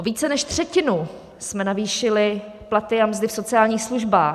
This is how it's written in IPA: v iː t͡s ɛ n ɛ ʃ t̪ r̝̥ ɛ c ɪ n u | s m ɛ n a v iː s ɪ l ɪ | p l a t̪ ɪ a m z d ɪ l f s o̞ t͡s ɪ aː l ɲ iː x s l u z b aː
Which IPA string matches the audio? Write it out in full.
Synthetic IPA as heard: v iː t͡s ɛ n ɛ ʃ t̪ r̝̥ ɛ c ɪ n u | s m ɛ n a v iː ʃ ɪ l ɪ | p l a t̪ ɪ a m z d ɪ f s o̞ t͡s ɪ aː l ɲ iː x s l u ʒ b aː